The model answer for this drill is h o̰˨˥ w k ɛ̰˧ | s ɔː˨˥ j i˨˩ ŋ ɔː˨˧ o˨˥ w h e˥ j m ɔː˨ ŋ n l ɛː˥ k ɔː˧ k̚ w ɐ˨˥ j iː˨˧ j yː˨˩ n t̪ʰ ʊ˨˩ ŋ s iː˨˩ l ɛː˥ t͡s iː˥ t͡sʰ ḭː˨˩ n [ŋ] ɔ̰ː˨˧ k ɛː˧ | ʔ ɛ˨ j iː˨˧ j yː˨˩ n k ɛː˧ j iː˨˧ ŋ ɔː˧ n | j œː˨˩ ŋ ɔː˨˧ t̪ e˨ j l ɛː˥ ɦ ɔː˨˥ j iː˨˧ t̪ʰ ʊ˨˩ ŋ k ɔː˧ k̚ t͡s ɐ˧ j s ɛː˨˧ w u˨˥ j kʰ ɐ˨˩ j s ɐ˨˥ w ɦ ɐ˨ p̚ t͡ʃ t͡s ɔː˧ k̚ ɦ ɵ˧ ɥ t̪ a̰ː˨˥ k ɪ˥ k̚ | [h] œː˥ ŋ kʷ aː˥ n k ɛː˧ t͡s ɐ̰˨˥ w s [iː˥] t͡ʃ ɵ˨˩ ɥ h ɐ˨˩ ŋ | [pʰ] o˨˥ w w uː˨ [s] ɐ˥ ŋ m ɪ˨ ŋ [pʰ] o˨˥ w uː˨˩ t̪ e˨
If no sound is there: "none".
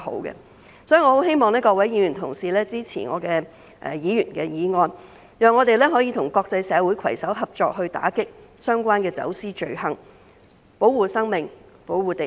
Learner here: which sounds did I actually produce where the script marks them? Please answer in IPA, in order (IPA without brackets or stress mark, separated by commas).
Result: ŋ, s, iː˥, p, s, p